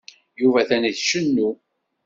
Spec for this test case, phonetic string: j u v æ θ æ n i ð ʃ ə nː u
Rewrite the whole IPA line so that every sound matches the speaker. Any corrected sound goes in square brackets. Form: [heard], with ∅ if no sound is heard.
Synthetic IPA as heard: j u v æ θ æ n i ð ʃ ə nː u